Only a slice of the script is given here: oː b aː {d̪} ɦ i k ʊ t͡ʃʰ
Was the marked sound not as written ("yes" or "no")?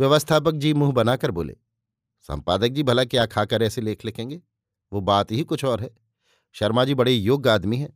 yes